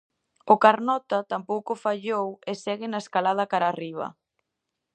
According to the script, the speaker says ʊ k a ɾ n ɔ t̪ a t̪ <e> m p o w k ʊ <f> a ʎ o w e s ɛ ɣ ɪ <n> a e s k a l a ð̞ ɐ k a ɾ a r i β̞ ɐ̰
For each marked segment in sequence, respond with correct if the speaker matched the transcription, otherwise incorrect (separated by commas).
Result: incorrect, correct, correct